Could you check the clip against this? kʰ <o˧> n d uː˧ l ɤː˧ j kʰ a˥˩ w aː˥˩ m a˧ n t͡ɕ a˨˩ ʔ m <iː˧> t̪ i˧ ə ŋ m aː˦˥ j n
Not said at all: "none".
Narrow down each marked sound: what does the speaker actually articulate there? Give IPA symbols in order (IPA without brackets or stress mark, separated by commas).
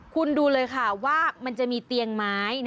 u˧, iː˧